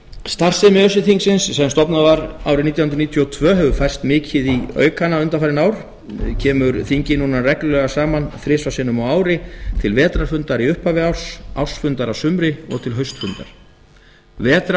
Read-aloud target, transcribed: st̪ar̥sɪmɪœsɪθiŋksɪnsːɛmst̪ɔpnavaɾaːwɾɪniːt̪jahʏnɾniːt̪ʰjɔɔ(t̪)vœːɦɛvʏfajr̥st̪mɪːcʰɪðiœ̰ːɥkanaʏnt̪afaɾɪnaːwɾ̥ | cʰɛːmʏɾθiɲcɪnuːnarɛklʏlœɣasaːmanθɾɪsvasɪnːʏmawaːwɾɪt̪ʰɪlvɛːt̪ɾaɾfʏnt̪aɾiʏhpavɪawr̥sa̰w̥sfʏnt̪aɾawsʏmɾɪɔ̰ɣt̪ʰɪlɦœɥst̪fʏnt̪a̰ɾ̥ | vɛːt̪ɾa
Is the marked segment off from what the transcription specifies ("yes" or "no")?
yes